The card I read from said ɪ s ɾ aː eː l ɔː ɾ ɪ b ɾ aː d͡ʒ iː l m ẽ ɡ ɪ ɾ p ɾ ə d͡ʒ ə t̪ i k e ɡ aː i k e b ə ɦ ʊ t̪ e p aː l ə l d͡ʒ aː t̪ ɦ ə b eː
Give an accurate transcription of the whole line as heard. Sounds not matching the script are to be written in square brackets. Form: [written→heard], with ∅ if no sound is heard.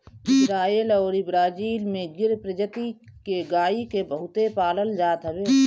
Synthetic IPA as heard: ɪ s ɾ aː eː l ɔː ɾ ɪ b ɾ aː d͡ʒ iː l m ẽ ɡ ɪ ɾ p ɾ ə d͡ʒ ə t̪ i k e ɡ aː i k e b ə ɦ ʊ t̪ e p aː l ə l d͡ʒ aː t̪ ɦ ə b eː

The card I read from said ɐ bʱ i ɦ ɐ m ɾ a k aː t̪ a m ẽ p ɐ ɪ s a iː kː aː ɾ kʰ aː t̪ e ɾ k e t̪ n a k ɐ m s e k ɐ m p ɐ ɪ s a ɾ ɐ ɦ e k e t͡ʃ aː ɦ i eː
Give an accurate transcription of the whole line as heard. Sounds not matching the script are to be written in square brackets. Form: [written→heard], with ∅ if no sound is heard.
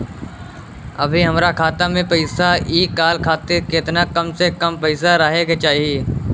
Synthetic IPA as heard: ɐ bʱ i ɦ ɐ m ɾ a [k→kʰ] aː t̪ a m ẽ p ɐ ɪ s a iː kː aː [ɾ→l] kʰ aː t̪ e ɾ k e t̪ n a k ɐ m s e k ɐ m p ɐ ɪ s a ɾ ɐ ɦ e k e t͡ʃ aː ɦ i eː

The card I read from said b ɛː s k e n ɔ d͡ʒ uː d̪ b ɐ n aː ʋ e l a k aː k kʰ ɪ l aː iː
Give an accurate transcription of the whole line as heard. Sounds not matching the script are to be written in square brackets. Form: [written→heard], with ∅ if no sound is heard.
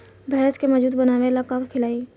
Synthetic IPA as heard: b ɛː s k e [n→m] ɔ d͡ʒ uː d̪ b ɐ n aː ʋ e l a k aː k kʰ ɪ l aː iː

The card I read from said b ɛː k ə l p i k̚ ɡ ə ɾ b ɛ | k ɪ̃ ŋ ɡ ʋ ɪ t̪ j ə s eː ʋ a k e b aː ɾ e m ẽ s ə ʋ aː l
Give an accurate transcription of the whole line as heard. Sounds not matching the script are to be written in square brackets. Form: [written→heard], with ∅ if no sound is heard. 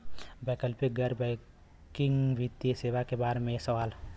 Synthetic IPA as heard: b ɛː k ə l p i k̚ ɡ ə ɾ b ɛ | k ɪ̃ ŋ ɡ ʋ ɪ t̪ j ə s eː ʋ a k e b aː ɾ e m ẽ s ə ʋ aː l

